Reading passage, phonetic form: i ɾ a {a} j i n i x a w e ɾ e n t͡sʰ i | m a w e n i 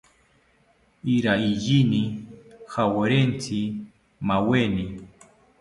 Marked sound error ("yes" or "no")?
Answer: yes